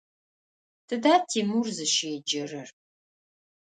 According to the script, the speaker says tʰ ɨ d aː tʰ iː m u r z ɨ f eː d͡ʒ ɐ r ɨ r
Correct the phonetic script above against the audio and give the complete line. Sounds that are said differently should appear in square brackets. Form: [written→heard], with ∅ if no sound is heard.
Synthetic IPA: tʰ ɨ d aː tʰ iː m u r z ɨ [f→ʃ] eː d͡ʒ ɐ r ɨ r